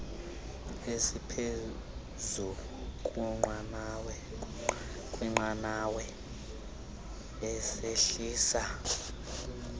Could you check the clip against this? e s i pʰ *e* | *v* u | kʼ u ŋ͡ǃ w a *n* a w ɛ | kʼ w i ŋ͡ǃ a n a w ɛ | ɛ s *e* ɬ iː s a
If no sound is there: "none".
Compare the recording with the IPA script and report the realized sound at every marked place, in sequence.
e, z, n, e

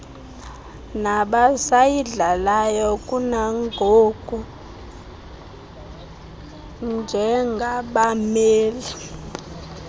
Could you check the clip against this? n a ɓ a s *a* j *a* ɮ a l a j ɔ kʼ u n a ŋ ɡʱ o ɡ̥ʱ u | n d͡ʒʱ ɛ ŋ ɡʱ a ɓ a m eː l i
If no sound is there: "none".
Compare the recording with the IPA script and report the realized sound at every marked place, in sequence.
a, i

